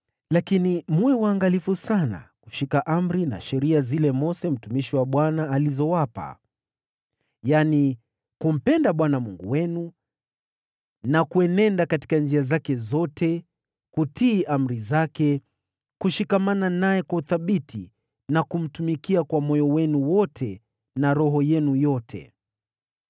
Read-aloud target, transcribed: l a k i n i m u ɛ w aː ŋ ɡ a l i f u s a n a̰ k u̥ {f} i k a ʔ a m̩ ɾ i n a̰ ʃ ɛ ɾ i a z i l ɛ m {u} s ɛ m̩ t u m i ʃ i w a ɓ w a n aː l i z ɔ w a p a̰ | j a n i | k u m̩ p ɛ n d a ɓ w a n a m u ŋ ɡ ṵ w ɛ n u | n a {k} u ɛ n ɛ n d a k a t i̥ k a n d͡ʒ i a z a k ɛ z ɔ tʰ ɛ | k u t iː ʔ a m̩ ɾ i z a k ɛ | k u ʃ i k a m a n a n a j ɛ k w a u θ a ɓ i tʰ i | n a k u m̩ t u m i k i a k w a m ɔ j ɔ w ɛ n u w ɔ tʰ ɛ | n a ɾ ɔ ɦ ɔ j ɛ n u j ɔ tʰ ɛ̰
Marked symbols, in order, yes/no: no, no, yes

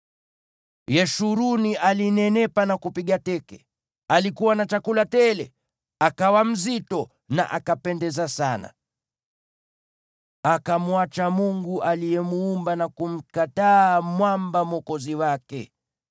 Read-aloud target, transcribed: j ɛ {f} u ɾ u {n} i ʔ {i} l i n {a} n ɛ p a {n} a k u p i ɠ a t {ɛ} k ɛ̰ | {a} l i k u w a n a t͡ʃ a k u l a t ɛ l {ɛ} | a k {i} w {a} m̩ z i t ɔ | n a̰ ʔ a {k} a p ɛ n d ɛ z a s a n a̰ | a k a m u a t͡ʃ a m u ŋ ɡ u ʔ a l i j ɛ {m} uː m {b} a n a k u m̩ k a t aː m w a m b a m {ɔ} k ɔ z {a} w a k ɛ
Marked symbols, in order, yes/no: no, yes, no, no, yes, yes, yes, yes, no, yes, yes, yes, yes, yes, no

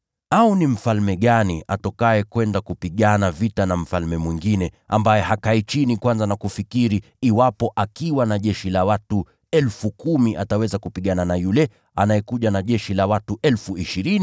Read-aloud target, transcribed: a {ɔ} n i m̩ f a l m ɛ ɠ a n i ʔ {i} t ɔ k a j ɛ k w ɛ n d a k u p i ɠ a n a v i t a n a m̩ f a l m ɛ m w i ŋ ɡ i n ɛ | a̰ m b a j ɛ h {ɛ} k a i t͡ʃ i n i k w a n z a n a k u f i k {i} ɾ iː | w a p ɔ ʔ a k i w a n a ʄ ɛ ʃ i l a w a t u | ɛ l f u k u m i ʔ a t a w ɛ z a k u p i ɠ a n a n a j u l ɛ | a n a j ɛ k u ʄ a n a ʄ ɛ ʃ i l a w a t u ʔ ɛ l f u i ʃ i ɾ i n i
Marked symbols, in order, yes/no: no, no, no, yes

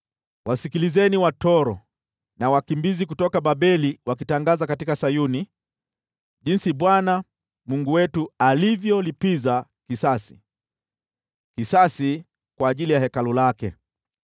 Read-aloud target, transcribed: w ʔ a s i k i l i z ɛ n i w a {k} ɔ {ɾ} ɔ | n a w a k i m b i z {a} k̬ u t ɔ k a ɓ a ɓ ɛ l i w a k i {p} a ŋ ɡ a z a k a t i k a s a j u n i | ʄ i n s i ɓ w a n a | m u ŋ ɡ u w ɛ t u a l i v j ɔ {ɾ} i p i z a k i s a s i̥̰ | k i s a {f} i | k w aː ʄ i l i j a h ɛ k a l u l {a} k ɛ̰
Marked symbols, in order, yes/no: no, yes, no, no, no, no, yes

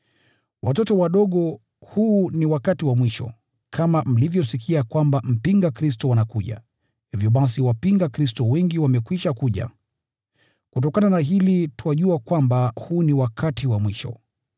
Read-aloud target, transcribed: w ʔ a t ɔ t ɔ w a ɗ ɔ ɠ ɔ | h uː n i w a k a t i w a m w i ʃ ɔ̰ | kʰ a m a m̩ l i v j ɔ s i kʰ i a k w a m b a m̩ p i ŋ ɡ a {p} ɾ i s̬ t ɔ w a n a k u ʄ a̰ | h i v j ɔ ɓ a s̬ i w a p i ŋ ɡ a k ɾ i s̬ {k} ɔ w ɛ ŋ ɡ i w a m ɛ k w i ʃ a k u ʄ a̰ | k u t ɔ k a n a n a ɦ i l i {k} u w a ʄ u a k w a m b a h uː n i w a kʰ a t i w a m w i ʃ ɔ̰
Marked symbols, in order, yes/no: no, no, no

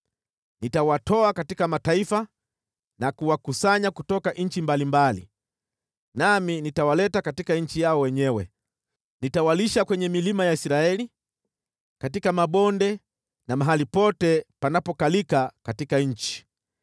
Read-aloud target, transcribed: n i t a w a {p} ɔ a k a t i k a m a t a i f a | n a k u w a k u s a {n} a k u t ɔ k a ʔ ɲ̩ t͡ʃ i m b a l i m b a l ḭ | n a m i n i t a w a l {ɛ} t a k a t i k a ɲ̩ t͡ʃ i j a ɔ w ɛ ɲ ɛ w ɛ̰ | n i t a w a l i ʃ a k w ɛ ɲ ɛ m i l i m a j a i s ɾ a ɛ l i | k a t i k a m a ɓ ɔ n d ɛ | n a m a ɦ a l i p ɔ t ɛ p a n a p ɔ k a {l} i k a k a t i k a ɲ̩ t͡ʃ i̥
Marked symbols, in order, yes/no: no, no, yes, yes

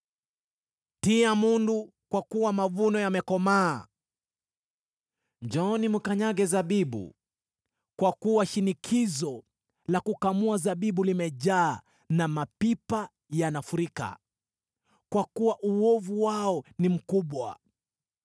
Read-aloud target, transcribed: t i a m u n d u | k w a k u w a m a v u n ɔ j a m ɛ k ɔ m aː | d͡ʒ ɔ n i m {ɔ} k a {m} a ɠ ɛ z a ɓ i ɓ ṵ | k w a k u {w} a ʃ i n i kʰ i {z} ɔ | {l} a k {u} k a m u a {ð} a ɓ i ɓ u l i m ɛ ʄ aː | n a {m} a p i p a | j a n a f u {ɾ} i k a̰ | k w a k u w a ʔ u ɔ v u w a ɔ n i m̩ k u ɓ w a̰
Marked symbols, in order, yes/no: no, no, yes, yes, yes, yes, no, yes, yes

